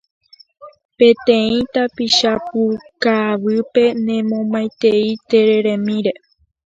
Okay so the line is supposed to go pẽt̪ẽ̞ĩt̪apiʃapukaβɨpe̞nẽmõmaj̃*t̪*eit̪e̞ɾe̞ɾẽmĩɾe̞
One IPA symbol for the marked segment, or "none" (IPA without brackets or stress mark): t̪